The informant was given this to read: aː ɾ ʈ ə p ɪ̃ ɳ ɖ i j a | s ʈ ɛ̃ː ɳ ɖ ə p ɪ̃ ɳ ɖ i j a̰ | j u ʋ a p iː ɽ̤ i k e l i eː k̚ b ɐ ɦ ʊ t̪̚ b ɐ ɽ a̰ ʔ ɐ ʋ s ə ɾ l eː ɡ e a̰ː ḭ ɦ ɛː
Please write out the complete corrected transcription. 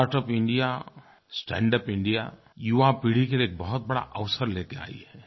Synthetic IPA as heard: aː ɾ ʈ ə p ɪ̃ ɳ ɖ i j a | s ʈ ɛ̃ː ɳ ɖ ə p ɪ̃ ɳ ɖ i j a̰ | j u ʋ a p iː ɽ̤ i k e l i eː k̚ b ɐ ɦ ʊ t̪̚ b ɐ ɽ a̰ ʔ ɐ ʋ s ə ɾ l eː k e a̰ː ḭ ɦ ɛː